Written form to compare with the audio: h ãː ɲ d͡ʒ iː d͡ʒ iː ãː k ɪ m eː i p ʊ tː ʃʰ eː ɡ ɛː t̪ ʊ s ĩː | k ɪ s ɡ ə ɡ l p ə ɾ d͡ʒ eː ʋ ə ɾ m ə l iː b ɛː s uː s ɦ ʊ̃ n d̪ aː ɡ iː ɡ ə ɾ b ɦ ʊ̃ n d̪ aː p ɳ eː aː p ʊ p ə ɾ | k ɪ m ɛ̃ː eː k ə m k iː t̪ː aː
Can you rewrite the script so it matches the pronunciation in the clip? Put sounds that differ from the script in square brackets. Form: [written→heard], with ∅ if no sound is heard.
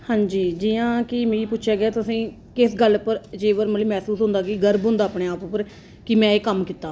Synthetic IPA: h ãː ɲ d͡ʒ iː d͡ʒ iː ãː k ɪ m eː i p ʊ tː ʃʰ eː ɡ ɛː t̪ ʊ s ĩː | k ɪ s ɡ ə [ɡ→∅] l p ə ɾ d͡ʒ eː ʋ ə ɾ m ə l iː [b→m] ɛː s uː s ɦ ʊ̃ n d̪ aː ɡ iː ɡ ə ɾ b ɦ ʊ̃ n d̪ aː p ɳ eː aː p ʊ p ə ɾ | k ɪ m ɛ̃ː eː k ə m k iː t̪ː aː